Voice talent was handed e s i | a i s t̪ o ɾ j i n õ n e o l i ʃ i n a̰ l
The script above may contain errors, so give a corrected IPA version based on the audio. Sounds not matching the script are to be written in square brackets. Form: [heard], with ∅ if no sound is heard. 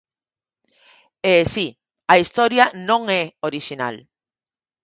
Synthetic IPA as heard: e s i | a i s t̪ o ɾ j [a] n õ [ŋ] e o [ɾ] i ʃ i n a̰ l